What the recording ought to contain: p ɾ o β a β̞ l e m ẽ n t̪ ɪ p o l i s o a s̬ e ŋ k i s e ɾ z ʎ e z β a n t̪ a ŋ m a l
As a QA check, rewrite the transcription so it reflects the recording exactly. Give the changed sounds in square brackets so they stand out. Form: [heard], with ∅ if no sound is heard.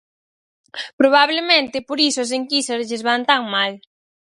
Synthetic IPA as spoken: p ɾ o β a β̞ l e m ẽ n t̪ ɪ p o [ɾ] i s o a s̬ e ŋ k i s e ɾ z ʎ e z β a n t̪ a ŋ m a l